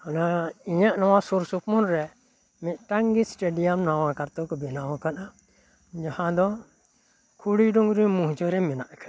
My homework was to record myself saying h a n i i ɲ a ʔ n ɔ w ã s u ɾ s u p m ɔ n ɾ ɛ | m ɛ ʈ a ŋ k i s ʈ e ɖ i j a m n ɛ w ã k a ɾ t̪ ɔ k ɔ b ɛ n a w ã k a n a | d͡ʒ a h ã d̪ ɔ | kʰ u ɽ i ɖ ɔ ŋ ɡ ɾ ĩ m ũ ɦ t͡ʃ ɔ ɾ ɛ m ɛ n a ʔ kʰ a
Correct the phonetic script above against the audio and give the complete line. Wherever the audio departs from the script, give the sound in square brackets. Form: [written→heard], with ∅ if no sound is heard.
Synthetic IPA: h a n [i→a] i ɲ a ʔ n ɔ w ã s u ɾ s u p m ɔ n ɾ ɛ | m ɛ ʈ a ŋ [k→ɡ] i s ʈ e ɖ i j a m n [ɛ→a] w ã k a ɾ t̪ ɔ k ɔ b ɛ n a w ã k a n a | d͡ʒ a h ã d̪ ɔ | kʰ u ɽ i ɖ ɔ ŋ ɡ ɾ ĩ m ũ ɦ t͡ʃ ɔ ɾ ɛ m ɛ n a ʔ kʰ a